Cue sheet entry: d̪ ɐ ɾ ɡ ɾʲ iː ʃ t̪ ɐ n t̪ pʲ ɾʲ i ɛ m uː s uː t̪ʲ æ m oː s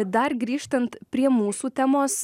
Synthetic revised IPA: d̪ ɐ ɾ ɡ ɾʲ iː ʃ t̪ ɐ n t̪ pʲ ɾʲ i ɛ m uː s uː t̪ʲ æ m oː s